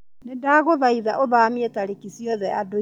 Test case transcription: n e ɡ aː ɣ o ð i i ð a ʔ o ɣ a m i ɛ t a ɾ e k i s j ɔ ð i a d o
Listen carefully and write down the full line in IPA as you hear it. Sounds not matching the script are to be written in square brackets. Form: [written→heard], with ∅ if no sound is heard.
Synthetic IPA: n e [ɡ→d] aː ɣ o ð [i→a] i ð a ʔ o [ɣ→ð] a m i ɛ t a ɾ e k i s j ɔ ð [i→ɛ] a d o